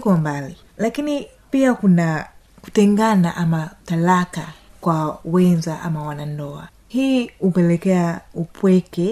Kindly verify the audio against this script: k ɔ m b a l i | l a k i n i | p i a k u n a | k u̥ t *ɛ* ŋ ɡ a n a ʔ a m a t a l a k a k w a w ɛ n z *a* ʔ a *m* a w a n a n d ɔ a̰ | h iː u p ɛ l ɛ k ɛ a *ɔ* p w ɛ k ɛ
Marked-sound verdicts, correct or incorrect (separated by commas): correct, correct, correct, incorrect